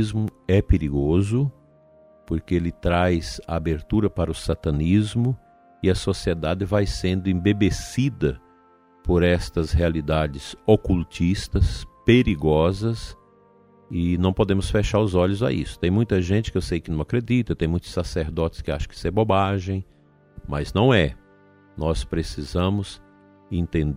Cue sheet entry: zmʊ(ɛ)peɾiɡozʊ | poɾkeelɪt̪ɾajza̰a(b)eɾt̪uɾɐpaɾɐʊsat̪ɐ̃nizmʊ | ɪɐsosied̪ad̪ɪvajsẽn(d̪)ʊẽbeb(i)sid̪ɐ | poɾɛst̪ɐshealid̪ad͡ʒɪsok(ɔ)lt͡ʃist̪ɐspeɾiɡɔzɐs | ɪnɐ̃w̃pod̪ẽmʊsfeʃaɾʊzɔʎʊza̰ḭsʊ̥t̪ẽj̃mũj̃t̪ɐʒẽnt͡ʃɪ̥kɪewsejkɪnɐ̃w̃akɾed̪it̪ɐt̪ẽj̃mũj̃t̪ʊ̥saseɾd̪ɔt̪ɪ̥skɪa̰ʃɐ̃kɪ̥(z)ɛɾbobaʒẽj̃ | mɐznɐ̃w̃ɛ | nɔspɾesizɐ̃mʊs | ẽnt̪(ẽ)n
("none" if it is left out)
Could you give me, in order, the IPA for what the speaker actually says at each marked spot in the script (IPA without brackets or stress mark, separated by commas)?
ɛ, b, d̪, e, u, s, ẽ